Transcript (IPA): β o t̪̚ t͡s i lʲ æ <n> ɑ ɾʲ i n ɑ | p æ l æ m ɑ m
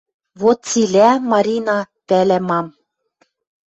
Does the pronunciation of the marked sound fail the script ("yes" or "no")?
yes